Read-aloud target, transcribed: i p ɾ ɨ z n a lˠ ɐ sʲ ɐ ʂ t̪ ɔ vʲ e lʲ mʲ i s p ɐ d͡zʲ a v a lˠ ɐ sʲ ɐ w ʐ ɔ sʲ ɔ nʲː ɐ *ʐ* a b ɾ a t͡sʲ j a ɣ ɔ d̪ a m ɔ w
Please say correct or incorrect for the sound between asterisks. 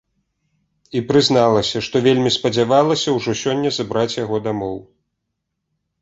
incorrect